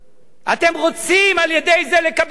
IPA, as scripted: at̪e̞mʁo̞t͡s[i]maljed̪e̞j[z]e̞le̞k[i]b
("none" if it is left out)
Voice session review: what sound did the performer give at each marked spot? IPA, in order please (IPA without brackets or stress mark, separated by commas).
i, z, a